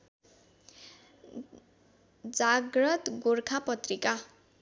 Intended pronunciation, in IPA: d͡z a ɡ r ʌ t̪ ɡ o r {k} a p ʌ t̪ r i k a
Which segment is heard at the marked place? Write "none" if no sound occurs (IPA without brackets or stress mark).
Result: kʰ